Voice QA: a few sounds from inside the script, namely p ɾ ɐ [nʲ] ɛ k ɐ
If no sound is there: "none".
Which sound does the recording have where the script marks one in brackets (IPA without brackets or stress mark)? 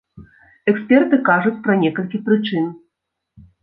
nʲ